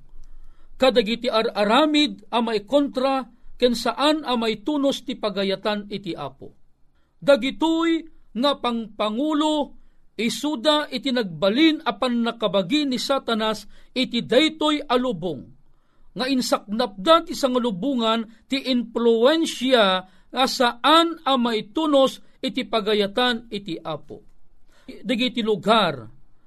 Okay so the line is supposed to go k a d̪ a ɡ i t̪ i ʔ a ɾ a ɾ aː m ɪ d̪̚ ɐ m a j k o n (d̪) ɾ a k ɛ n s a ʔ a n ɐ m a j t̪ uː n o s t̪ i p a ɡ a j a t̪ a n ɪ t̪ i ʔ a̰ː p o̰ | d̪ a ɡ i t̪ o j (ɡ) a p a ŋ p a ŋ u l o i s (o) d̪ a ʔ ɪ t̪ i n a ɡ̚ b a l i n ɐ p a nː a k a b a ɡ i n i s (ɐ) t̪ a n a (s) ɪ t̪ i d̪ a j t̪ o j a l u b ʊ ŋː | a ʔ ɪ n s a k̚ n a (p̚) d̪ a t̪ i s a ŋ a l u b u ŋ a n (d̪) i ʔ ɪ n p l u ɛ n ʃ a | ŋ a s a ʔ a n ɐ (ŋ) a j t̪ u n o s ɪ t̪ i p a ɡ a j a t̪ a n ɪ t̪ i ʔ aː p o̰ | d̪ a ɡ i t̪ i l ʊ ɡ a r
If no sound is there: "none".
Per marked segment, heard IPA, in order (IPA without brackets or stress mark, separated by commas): t̪, ŋ, u, a, s, p̚, t̪, m